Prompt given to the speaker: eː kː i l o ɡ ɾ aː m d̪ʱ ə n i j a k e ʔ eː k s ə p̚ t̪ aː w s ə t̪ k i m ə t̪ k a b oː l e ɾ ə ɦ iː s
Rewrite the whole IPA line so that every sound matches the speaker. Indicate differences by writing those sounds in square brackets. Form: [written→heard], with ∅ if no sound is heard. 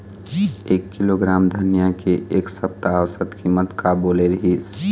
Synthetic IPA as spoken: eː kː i l o ɡ ɾ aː m d̪ʱ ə n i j a k e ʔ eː k s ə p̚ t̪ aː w s ə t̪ k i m ə t̪ k a b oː l e ɾ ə ɦ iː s

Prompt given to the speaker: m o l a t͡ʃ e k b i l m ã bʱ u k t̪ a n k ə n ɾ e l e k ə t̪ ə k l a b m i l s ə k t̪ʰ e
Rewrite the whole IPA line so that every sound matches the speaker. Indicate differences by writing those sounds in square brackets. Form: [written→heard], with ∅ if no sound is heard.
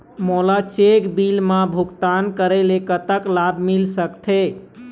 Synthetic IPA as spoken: m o l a t͡ʃ e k b i l m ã bʱ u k t̪ a n k ə [n→∅] ɾ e l e k ə t̪ ə k l a b m i l s ə k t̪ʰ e

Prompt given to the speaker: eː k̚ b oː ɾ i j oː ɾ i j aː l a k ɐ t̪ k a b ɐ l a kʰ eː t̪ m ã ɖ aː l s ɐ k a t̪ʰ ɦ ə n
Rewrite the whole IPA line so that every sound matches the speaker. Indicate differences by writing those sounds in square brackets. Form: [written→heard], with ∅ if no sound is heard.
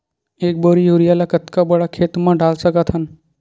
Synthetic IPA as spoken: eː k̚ b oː ɾ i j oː ɾ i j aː l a k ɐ t̪ k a b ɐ [l→ɽ] a kʰ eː t̪ m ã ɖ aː l s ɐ k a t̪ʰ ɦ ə n

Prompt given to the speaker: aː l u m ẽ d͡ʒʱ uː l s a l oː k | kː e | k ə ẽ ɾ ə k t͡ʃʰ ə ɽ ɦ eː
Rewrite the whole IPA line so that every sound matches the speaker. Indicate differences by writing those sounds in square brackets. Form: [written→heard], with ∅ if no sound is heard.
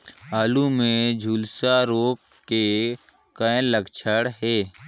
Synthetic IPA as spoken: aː l u m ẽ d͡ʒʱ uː l s a [l→ɾ] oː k | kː e | k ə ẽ [ɾ→l] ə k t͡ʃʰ ə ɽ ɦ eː

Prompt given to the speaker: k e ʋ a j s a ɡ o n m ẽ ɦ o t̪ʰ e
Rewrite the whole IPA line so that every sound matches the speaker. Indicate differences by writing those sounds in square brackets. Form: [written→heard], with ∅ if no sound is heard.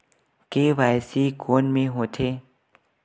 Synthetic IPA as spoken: k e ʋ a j s [a→i] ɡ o n m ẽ ɦ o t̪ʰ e

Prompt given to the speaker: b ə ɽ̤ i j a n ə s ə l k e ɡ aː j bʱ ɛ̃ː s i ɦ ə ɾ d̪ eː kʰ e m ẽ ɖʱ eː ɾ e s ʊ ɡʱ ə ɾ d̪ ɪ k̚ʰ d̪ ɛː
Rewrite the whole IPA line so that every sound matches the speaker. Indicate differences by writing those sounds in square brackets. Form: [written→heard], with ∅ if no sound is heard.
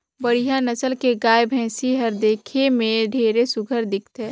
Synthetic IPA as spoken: b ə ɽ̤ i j a n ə s ə l k e ɡ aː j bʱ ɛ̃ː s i ɦ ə ɾ d̪ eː kʰ e m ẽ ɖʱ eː ɾ e s ʊ ɡʱ ə ɾ d̪ ɪ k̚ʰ [d̪→t̪] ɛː

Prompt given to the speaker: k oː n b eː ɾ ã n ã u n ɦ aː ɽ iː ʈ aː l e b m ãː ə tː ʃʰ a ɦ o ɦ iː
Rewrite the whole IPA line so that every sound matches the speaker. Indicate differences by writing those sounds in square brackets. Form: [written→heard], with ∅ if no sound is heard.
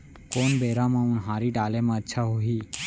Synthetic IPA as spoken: k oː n b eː ɾ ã [n→m] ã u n ɦ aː [ɽ→ɾ] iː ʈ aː l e [b→∅] m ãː ə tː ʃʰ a ɦ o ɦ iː

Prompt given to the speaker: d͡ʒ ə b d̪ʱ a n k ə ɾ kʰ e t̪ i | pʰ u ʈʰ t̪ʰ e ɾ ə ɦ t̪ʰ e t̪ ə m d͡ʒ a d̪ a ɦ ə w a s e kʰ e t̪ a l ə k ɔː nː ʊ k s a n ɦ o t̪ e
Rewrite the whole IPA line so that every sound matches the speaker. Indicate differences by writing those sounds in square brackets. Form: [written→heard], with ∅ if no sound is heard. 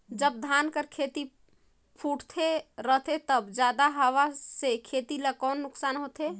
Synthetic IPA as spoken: d͡ʒ ə b d̪ʱ a n k ə ɾ kʰ e t̪ i | pʰ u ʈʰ t̪ʰ e ɾ ə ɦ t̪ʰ e t̪ ə [m→b] d͡ʒ a d̪ a ɦ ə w a s e kʰ e t̪ [a→i] l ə k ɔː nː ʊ k s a n ɦ o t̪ e

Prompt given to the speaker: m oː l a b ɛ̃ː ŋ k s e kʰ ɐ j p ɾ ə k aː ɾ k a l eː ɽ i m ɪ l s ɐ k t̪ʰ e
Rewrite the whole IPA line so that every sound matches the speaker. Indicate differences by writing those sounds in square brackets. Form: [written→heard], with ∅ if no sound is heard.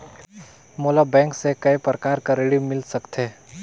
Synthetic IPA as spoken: m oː l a b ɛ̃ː ŋ k s e [kʰ→k] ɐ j p ɾ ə k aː ɾ k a [l→ɾ] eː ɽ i m ɪ l s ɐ k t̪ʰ e

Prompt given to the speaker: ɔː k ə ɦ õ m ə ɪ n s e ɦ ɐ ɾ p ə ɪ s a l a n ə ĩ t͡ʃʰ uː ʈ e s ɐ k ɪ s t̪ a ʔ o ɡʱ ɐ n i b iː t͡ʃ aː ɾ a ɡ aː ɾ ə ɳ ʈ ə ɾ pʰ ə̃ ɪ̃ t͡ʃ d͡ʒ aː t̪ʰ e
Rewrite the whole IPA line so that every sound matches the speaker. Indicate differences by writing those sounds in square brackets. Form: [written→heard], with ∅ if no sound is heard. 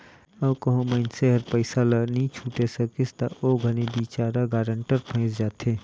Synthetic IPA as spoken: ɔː k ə ɦ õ m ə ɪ n s e ɦ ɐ ɾ p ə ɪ s a l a n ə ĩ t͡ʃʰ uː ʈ e s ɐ k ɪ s t̪ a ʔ o ɡʱ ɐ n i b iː t͡ʃ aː ɾ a ɡ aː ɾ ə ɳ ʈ ə ɾ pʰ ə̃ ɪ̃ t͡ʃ d͡ʒ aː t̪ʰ e

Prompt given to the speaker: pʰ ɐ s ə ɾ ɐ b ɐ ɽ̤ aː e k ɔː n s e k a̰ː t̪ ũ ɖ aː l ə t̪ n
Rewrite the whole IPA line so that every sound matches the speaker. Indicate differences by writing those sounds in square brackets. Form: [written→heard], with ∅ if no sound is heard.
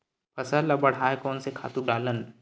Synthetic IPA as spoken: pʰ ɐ s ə [ɾ→l] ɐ b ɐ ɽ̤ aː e k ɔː n s e [k→kʰ] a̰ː t̪ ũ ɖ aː l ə [t̪→∅] n

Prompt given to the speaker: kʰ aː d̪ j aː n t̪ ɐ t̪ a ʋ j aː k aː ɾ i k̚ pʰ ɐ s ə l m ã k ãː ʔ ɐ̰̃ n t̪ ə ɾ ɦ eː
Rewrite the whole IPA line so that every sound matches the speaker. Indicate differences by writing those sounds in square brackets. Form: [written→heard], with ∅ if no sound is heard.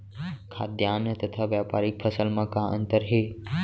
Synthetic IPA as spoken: kʰ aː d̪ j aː n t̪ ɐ [t̪→t̪ʰ] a ʋ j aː [k→p] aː ɾ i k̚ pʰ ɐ s ə l m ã k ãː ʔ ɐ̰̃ n t̪ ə ɾ ɦ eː

